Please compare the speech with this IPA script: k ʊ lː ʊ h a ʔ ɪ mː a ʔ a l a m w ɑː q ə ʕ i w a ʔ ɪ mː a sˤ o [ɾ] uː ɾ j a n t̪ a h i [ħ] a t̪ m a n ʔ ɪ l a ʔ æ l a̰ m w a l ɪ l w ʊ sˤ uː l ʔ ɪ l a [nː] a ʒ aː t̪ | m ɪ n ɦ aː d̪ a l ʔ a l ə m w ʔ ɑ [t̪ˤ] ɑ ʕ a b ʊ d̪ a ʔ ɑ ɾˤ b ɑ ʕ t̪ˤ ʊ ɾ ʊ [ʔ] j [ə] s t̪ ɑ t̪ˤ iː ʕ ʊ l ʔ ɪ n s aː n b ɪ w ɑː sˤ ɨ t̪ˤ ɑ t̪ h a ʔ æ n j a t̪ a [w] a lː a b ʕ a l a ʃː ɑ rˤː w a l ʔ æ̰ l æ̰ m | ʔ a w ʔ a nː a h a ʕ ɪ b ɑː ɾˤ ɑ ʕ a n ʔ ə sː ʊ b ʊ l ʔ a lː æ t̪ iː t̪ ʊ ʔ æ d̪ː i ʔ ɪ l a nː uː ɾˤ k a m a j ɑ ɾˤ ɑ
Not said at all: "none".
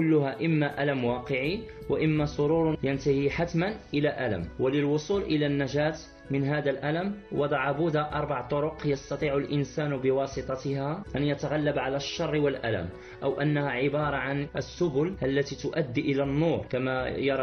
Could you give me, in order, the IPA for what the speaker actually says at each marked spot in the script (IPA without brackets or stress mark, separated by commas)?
ɾ, ħ, nː, d̪ˤ, q, ɑ, ɣ